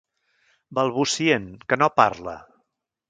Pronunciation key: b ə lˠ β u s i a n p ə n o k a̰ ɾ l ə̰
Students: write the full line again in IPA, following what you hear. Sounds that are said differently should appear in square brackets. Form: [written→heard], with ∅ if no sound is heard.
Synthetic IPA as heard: b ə lˠ β u s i [a→e] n [p→k] ə n o [k→p] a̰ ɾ l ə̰